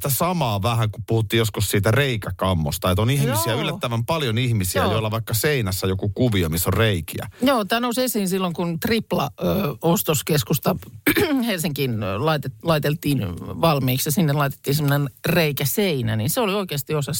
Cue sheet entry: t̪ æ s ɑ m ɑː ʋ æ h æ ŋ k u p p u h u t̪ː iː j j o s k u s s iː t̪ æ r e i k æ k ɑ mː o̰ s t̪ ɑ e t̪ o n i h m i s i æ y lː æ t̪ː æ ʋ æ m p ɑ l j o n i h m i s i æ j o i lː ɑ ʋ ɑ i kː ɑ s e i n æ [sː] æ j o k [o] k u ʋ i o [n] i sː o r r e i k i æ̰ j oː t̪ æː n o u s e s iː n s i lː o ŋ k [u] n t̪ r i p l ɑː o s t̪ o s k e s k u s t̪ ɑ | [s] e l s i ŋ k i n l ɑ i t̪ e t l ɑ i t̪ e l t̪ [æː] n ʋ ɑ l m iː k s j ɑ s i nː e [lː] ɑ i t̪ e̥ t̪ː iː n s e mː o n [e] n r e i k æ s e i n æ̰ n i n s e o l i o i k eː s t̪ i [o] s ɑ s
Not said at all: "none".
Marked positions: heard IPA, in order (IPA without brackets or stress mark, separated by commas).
sː, u, m, u, h, iː, l, e, o